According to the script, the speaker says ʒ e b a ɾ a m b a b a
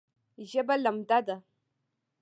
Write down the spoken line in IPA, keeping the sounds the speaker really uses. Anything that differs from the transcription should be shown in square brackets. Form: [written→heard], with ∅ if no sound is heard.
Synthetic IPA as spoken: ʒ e b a [ɾ→l] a m [b→d] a [b→d] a